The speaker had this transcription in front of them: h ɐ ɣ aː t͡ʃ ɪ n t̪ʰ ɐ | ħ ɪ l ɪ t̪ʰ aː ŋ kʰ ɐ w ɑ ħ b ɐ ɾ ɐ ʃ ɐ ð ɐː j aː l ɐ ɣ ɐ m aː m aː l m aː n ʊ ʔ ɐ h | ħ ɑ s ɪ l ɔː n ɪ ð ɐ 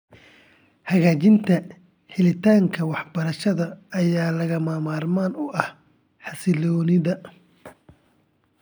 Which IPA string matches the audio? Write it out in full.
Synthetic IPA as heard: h ɐ ɣ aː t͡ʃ ɪ n t̪ʰ ɐ | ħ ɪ l ɪ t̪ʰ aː ŋ kʰ ɐ w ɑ ħ b ɐ ɾ ɐ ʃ ɐ ð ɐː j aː l ɐ ɣ ɐ m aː m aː r m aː n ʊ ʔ ɐ h | ħ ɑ s ɪ l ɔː n ɪ ð ɐ

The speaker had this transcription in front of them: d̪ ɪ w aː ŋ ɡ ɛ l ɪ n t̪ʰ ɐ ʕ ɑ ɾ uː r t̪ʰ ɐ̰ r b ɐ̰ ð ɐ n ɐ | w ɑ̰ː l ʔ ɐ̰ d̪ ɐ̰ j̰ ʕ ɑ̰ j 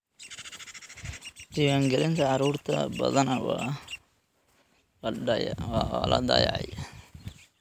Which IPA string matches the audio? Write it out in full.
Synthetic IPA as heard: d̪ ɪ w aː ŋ ɡ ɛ l ɪ n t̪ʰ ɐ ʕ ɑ ɾ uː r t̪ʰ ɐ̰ b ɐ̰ ð ɐ n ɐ | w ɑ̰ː l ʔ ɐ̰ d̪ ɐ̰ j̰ ʕ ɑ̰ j

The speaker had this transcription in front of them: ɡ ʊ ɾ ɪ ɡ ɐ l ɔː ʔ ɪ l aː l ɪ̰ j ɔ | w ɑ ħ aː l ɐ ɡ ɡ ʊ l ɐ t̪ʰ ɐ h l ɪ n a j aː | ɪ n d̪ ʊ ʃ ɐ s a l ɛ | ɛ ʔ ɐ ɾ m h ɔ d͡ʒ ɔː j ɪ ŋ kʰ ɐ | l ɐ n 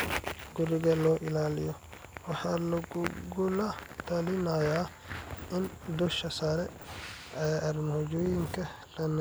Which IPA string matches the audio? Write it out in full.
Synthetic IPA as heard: ɡ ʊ ɾ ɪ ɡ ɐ l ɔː ʔ ɪ l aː l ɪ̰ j ɔ | w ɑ ħ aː l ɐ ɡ ɡ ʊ l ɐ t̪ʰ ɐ l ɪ n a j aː | ɪ n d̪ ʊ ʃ ɐ s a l ɛ | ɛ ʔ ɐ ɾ m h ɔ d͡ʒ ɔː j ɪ ŋ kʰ ɐ | l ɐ n

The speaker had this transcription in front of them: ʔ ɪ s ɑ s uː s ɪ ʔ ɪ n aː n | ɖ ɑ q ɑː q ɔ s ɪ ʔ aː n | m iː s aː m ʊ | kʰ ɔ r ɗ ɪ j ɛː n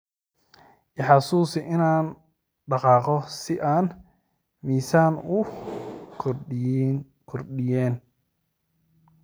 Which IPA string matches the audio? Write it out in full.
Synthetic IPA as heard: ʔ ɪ ħ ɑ s uː s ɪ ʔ ɪ n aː n | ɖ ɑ q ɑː q ɔ s ɪ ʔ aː n | m iː s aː n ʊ | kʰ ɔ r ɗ ɪ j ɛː n

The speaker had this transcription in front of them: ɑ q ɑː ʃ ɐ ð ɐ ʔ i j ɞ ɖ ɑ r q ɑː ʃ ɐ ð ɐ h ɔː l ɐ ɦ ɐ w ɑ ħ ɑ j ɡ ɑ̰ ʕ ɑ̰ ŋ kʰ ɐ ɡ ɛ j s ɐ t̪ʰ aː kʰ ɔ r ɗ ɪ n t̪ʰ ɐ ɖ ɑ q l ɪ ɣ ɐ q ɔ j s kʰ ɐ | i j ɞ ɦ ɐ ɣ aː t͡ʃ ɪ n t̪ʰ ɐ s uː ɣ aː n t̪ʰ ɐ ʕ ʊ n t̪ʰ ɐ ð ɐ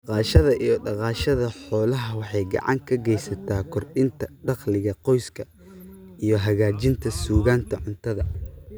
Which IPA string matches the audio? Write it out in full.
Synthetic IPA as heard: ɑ q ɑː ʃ ɐ ð ɐ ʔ i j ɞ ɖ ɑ q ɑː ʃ ɐ ð ɐ ħ ɔː l ɐ ɦ ɐ w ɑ ħ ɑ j ɡ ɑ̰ ʕ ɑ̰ ŋ kʰ ɐ ɡ ɛ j s ɐ t̪ʰ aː kʰ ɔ r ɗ ɪ n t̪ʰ ɐ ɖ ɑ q l ɪ ɣ ɐ q ɔ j s kʰ ɐ | i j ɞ ɦ ɐ ɣ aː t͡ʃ ɪ n t̪ʰ ɐ s uː ɣ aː n t̪ʰ ɐ ʕ ʊ n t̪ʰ ɐ ð ɐ

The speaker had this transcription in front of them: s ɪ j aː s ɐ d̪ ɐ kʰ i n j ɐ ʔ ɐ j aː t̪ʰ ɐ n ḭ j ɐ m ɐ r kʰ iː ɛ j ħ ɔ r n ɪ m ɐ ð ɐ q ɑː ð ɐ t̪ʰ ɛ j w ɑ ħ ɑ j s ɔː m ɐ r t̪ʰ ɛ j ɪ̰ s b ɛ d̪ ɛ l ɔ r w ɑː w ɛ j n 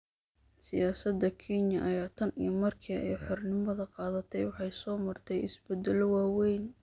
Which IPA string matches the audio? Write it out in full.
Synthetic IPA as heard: s ɪ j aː s ɐ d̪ ɐ kʰ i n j ɐ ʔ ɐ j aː t̪ʰ ɐ n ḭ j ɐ m ɐ r kʰ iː ɛ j ħ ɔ r n ɪ m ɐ ð ɐ q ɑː ð ɐ t̪ʰ ɛ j w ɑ ħ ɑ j s ɔː m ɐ r t̪ʰ ɛ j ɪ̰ s b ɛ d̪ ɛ l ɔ w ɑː w ɛ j n

